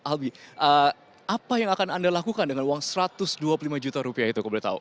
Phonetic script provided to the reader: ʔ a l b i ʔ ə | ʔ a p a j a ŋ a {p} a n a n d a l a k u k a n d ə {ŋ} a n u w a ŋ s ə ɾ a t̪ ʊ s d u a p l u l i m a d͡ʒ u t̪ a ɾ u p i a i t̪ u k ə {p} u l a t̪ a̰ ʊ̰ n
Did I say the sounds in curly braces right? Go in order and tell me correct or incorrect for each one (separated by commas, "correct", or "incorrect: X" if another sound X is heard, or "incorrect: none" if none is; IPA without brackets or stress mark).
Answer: incorrect: k, correct, incorrect: b